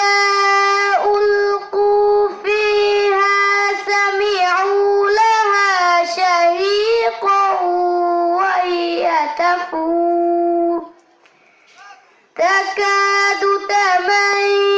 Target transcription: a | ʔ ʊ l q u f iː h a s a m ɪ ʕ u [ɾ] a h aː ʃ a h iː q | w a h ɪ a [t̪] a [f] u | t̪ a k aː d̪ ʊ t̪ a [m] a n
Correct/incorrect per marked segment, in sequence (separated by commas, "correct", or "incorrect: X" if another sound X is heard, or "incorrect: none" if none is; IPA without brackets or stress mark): incorrect: l, correct, correct, correct